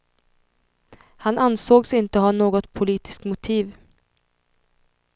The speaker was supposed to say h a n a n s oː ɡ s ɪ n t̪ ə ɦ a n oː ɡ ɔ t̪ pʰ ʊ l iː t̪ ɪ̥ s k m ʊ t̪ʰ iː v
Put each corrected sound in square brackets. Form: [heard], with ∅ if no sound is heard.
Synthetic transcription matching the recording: h a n a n s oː ɡ s ɪ n t̪ ə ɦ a n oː ɡ ɔ t̪ pʰ ʊ l iː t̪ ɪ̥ s k m ʊ t̪ʰ iː v